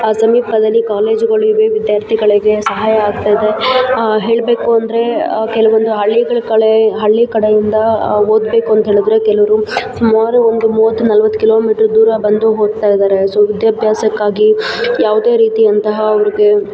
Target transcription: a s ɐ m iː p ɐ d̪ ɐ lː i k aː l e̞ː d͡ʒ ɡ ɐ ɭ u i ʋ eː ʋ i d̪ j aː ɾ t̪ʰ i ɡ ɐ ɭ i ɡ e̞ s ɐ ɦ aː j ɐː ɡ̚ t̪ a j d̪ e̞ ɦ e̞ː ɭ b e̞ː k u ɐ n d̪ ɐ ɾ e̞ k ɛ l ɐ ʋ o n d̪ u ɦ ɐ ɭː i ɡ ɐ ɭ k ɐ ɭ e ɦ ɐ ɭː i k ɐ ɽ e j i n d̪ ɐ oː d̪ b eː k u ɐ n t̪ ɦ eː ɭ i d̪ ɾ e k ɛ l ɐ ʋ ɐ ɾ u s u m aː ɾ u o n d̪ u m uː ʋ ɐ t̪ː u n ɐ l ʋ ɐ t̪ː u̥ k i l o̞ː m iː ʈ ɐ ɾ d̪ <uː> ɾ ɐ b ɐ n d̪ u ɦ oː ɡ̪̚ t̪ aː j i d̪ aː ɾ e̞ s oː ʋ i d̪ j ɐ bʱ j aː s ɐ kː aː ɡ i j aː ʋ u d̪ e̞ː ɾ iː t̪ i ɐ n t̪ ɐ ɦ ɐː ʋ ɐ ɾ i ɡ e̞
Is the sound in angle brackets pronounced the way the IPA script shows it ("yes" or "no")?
yes